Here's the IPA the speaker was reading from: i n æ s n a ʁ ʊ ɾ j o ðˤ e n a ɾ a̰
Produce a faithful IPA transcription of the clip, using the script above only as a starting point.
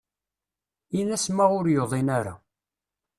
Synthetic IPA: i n æ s m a ʁ ʊ ɾ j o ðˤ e n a ɾ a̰